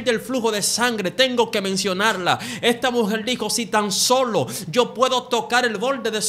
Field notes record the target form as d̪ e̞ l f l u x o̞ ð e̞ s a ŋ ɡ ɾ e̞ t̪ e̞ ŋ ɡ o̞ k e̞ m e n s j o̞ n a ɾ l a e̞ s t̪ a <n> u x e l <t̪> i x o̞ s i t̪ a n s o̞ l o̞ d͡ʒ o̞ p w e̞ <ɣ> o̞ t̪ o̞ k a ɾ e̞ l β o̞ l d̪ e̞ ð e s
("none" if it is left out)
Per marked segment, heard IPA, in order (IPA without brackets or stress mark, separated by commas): m, d̪, ð